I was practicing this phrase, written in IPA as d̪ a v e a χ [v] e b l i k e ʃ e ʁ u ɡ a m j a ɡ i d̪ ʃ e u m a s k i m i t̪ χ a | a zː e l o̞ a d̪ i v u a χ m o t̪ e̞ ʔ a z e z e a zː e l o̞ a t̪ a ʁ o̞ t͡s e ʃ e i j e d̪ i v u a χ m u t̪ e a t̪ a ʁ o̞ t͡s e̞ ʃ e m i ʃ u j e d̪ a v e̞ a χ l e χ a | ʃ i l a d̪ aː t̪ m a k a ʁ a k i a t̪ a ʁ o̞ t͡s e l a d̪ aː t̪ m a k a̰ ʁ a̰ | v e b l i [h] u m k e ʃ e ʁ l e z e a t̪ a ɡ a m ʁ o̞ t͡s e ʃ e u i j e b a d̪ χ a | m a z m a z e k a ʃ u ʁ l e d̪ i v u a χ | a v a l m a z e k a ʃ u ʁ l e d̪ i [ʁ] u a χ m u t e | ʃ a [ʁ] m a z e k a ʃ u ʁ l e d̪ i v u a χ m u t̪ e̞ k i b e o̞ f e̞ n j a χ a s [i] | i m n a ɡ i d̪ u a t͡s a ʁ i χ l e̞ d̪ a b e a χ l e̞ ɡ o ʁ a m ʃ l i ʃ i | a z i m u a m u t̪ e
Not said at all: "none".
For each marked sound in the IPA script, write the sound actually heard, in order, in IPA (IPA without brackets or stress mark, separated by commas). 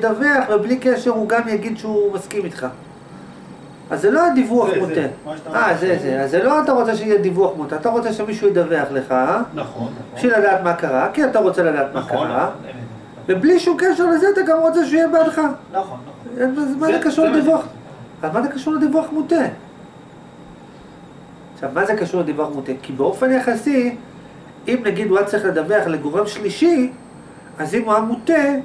v, ʃ, v, v, i